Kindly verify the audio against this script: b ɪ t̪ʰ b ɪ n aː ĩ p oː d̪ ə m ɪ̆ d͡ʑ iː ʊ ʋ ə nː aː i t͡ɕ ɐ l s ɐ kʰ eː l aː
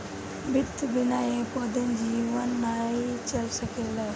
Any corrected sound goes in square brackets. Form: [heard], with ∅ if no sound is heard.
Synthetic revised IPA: b ɪ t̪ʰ b ɪ n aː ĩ p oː d̪ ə [n] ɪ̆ d͡ʑ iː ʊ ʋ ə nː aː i t͡ɕ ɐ l s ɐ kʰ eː l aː